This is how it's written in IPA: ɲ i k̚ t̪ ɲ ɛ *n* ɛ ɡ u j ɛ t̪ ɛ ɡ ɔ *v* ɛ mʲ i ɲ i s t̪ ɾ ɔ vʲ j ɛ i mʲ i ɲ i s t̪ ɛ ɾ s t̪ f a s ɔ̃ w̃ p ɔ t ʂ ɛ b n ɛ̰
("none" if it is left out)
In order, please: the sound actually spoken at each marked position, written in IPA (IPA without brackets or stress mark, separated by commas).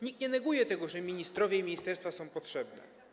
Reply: n, ʐ